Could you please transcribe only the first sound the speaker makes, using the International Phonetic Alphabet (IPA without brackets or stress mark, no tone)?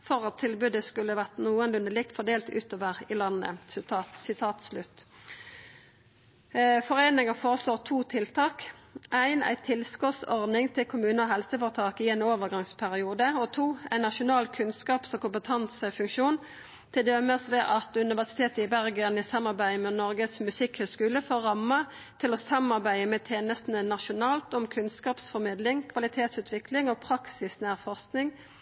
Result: f